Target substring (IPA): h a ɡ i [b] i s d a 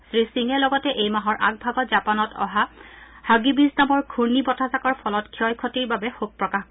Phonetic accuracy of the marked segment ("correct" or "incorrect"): correct